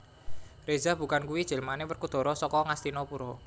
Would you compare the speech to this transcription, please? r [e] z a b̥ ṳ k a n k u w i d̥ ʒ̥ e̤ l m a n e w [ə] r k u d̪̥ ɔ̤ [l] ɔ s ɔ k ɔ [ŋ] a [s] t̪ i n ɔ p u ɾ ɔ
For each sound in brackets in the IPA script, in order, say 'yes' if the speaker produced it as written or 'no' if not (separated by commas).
yes, yes, no, yes, yes